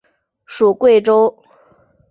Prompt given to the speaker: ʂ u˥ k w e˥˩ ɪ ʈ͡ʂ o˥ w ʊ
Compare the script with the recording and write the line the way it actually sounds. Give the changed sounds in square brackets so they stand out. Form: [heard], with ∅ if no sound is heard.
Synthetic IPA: ʂ [u˨˩] k w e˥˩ ɪ ʈ͡ʂ o˥ [∅] ʊ

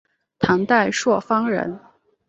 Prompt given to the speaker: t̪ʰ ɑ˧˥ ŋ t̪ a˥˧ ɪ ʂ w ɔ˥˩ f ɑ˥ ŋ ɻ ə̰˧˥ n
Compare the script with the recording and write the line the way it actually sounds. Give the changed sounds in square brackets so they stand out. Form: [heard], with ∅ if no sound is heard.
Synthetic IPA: t̪ʰ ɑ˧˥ ŋ t̪ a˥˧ ɪ ʂ w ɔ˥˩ f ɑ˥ ŋ ɻ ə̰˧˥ n

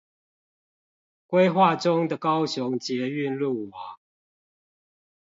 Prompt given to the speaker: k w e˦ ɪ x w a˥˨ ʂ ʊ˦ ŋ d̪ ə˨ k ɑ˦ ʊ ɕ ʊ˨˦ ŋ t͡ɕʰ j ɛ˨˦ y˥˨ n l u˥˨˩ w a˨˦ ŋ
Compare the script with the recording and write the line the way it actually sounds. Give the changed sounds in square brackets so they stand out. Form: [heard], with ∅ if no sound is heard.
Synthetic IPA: k w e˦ ɪ x w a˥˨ [ʈ͡ʂ] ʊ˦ ŋ d̪ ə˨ k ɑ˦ ʊ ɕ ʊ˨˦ ŋ [t͡ɕ] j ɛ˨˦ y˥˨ n l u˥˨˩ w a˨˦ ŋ

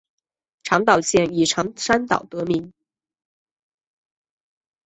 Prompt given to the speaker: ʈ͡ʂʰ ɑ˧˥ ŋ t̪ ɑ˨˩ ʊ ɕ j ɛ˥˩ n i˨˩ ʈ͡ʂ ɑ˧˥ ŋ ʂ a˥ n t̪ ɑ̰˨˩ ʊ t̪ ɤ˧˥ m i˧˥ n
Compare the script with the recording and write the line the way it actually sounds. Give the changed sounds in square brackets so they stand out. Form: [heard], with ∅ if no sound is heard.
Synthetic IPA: ʈ͡ʂʰ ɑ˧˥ ŋ t̪ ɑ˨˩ ʊ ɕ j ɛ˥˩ n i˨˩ [ʈ͡ʂʰ] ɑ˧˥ ŋ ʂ a˥ n t̪ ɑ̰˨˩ ʊ t̪ ɤ˧˥ m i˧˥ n

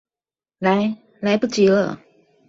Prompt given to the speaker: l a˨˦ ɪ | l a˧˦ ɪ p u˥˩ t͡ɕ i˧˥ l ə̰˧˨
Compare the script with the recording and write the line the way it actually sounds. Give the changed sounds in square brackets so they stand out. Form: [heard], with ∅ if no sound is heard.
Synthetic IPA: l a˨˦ ɪ | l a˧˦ ɪ p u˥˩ t͡ɕ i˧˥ l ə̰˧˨

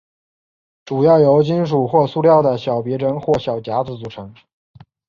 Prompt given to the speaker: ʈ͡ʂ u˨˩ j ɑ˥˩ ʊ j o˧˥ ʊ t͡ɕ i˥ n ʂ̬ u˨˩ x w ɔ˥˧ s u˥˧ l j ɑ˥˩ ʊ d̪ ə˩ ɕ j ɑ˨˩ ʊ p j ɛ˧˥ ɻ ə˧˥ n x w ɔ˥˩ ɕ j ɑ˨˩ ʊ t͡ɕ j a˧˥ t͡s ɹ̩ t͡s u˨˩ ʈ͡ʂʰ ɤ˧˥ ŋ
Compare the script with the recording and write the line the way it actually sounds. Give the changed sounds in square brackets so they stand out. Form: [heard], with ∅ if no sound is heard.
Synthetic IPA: ʈ͡ʂ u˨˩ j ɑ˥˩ ʊ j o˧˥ ʊ t͡ɕ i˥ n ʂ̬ u˨˩ x w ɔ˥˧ s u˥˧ l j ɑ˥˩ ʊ d̪ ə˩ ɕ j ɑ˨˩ ʊ p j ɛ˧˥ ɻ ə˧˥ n x w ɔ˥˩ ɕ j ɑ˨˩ ʊ t͡ɕ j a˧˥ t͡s ɹ̩ t͡s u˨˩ ʈ͡ʂʰ ɤ˧˥ ŋ

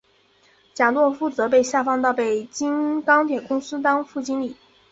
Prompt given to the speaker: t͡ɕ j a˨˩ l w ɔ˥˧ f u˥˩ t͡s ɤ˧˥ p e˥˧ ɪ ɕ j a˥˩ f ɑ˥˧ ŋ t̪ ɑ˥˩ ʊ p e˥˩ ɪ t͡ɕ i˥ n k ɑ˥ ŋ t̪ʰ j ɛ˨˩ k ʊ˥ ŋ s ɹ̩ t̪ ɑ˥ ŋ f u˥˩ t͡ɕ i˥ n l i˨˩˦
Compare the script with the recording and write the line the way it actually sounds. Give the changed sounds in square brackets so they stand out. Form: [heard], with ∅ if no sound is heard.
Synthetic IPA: t͡ɕ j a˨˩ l w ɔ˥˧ f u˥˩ t͡s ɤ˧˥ p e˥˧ ɪ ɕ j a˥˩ f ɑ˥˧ ŋ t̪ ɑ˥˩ ʊ p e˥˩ ɪ t͡ɕ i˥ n k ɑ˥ ŋ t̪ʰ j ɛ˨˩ k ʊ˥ ŋ s ɹ̩ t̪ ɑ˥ ŋ f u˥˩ t͡ɕ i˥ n l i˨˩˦

